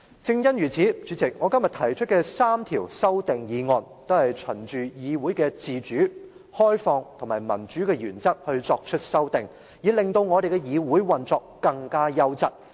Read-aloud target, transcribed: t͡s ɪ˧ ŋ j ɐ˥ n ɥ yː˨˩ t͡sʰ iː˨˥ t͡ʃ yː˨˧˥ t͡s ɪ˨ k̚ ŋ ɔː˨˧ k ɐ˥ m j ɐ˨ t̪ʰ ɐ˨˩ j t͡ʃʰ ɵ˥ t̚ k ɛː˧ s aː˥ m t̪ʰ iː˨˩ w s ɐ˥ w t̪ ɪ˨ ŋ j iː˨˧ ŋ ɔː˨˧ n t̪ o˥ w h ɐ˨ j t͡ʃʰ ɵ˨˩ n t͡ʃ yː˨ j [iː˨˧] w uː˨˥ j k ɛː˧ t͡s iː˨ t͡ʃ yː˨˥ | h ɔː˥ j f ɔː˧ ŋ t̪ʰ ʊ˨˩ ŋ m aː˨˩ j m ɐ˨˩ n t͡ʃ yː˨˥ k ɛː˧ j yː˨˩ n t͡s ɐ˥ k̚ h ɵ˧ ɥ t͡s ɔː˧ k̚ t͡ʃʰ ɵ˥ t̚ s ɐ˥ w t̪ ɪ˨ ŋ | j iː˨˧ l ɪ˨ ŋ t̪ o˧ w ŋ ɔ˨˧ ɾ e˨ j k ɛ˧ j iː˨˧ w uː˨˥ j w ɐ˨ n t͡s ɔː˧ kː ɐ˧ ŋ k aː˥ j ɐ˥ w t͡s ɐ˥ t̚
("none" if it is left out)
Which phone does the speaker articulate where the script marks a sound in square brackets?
iː˨˧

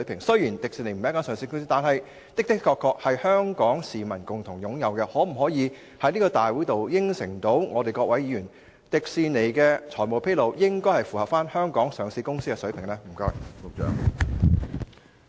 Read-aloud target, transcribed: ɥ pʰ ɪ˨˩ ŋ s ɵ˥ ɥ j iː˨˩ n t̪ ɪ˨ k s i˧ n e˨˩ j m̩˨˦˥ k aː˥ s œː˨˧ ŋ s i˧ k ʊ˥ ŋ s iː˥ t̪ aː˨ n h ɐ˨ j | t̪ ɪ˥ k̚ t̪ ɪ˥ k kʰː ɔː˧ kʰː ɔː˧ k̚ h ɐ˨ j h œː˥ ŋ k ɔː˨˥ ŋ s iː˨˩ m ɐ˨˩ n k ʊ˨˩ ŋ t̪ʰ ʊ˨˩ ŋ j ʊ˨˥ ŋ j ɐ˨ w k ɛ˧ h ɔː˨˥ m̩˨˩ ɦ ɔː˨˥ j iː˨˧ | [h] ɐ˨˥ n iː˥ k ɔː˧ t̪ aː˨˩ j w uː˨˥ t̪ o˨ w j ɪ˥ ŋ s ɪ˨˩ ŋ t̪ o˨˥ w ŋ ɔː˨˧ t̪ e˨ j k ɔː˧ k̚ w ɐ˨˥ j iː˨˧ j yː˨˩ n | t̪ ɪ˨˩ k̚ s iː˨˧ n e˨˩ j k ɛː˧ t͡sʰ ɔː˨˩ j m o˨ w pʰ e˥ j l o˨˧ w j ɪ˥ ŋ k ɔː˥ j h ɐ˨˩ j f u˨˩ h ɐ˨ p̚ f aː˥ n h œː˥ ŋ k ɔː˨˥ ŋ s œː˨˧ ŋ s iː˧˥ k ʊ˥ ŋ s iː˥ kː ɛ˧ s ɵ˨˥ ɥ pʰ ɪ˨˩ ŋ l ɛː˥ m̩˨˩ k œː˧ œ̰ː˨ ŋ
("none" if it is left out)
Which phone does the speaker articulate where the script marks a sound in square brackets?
h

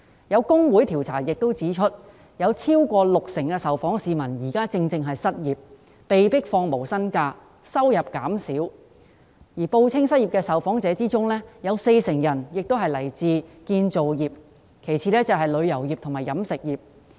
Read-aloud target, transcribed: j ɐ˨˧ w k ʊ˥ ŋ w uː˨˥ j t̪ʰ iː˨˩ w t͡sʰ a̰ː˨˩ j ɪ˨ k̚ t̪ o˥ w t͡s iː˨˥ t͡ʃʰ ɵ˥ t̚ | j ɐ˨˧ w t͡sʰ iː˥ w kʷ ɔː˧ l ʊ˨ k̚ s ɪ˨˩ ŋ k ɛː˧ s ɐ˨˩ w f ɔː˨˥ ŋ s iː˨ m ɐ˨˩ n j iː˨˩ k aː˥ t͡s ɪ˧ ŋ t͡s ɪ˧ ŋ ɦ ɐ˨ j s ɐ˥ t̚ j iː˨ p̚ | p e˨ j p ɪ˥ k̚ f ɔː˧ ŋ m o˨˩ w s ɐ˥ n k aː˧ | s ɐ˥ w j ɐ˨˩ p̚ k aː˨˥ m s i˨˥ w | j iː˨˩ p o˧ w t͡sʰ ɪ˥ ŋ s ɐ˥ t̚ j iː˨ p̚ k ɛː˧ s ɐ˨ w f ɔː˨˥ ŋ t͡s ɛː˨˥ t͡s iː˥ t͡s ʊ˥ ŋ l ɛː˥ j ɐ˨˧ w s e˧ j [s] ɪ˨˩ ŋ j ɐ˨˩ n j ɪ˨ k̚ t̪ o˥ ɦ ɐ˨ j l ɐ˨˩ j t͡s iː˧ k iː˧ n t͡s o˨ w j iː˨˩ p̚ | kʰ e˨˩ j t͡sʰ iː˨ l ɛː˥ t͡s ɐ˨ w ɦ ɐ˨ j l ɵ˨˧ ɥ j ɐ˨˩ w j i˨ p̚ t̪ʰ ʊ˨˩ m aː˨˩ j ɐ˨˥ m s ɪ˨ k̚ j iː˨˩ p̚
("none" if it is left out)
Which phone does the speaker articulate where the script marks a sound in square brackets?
s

